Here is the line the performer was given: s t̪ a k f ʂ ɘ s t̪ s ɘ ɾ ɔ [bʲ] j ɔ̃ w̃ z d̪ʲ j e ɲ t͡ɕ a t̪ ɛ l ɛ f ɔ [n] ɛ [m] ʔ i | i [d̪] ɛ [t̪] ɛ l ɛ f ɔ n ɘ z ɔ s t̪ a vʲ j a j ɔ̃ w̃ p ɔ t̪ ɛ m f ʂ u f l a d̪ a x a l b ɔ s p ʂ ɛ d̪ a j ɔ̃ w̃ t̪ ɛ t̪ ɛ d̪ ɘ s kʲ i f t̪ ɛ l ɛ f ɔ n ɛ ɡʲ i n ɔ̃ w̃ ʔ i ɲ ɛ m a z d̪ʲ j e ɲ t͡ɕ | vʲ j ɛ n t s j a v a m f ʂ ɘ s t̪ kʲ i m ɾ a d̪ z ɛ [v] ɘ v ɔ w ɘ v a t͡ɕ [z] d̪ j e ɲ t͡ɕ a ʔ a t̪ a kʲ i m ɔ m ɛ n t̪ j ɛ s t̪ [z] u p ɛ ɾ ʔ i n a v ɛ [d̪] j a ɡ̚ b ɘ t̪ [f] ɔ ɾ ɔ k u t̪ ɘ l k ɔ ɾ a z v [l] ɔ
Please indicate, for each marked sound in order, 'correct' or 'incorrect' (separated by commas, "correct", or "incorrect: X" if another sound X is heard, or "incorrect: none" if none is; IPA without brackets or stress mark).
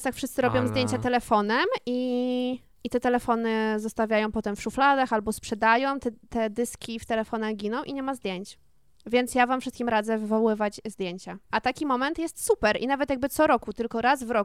correct, correct, correct, incorrect: t̪, correct, correct, correct, incorrect: s, incorrect: t̪, incorrect: s, incorrect: ɾ